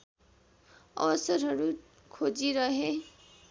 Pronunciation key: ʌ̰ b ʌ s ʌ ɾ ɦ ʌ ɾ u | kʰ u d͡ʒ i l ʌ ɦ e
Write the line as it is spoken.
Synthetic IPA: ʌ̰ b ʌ s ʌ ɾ ɦ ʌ ɾ u | kʰ o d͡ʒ i ɾ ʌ ɦ e